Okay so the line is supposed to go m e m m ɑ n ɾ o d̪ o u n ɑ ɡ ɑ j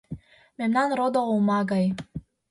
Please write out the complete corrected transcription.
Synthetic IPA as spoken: m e m n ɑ n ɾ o d̪ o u m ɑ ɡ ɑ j